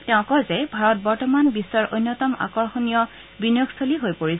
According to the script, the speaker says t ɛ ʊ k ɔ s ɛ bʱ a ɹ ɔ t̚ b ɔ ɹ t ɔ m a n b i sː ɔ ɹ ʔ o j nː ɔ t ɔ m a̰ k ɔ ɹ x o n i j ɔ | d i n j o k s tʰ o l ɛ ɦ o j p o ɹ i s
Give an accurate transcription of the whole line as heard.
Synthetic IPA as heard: t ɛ ʊ̃ k ɔ z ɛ bʱ a ɹ ɔ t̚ b ɔ ɹ t ɔ m a n b i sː ɔ ɹ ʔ o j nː ɔ t ɔ m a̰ k ɔ ɹ x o n i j ɔ | b i n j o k s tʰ o l i ɦ o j p o ɹ i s